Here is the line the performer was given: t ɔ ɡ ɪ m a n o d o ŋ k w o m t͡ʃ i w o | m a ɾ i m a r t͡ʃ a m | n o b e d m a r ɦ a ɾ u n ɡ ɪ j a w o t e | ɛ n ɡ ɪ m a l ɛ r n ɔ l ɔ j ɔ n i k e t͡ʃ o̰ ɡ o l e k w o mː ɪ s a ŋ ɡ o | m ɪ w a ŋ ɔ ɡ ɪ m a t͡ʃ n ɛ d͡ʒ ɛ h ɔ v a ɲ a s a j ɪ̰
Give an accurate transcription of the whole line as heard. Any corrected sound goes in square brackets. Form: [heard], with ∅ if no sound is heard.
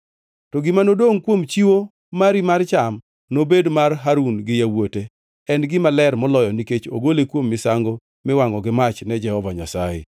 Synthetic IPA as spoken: t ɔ ɡ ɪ m a n o d o ŋ k w o m t͡ʃ i w o | m a ɾ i m a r t͡ʃ a m | n o b e d m a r ɦ a ɾ u n ɡ ɪ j a w o t e | ɛ n ɡ ɪ m a l ɛ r [m] ɔ l ɔ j ɔ n i k e t͡ʃ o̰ ɡ o l e k w o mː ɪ s a ŋ ɡ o | m ɪ w a ŋ ɔ ɡ ɪ m a t͡ʃ n ɛ d͡ʒ ɛ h ɔ v a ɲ a s a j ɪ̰